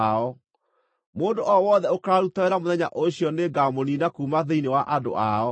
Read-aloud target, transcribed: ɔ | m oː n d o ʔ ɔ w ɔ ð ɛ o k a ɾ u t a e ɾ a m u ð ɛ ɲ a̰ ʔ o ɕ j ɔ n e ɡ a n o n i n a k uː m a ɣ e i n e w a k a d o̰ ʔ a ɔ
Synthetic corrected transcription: ɔ | m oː n d o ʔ ɔ w ɔ ð ɛ o k a ɾ u t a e ɾ a m o ð ɛ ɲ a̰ ʔ o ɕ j ɔ n e ɡ a m o n i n a k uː m a ð e i n e w a ʔ a d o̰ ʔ a ɔ